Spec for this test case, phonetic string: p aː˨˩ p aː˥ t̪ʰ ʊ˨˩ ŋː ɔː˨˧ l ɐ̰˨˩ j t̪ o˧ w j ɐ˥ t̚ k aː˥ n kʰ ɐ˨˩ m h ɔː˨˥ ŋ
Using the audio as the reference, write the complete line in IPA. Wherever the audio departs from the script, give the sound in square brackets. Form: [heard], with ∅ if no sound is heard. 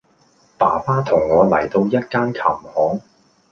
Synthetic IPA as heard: p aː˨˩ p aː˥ t̪ʰ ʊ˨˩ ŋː ɔː˨˧ l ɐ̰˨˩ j t̪ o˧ w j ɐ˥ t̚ k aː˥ n kʰ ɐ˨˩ m h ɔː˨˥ ŋ